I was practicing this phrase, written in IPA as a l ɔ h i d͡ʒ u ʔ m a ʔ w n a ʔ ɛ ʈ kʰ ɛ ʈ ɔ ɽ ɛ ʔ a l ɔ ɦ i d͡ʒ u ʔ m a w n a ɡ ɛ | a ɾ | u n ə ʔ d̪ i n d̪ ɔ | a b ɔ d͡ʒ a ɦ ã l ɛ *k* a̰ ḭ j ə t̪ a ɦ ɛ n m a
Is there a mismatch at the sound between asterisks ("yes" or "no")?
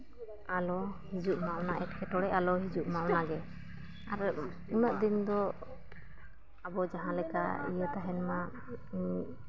no